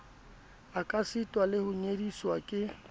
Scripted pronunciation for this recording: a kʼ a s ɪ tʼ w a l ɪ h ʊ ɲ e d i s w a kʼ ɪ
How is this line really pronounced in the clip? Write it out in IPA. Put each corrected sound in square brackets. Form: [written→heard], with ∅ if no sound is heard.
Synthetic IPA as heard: a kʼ a s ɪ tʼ w a l ɪ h ʊ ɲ e d i s w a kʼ ɪ